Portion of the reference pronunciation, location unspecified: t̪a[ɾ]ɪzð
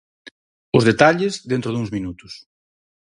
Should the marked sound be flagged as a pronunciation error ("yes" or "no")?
yes